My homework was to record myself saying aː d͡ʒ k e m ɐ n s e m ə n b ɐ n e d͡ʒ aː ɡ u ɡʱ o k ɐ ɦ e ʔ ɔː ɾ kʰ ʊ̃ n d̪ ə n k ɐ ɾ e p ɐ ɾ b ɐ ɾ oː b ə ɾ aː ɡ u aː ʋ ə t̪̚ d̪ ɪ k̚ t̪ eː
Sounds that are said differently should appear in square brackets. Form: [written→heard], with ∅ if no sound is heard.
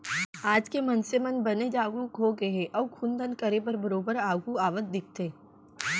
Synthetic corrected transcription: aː d͡ʒ k e m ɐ n s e m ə n b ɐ n e d͡ʒ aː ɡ u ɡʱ o [k→ɡ] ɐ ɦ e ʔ ɔː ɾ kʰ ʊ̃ n d̪ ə n k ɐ ɾ e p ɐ ɾ b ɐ ɾ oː b ə ɾ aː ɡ u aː ʋ ə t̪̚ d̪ ɪ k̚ t̪ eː